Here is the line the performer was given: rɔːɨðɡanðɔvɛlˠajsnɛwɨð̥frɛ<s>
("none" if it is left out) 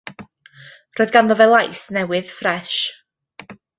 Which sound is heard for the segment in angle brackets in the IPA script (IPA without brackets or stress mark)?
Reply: ʃ